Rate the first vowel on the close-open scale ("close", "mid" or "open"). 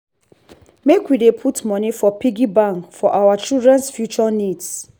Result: mid